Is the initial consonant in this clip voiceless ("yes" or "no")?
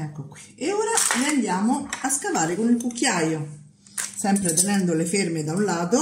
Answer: yes